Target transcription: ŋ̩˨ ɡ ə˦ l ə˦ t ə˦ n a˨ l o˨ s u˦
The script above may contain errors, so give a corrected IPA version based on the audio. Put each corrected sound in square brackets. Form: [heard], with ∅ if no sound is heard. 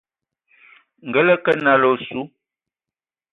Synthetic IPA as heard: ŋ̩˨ ɡ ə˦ l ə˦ [k] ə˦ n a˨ l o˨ s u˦